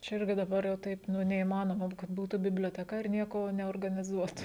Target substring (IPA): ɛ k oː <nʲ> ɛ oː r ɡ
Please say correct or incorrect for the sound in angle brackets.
correct